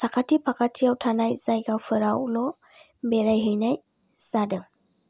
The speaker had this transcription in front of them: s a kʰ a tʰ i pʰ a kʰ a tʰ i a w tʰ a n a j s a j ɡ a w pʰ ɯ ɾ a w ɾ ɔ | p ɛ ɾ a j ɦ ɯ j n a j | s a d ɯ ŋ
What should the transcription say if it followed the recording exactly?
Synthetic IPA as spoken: s a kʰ a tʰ i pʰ a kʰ a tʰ i a w tʰ a n a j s a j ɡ a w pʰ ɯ ɾ a w l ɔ | b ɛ ɾ a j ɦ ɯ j n a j | s a d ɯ ŋ